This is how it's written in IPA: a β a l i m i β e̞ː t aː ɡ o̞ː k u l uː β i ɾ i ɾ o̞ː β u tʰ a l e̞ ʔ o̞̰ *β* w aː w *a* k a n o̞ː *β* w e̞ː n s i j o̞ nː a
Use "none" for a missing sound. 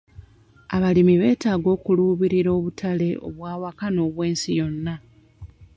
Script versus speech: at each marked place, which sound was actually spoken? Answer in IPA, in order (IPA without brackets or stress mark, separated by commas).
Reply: β, a, β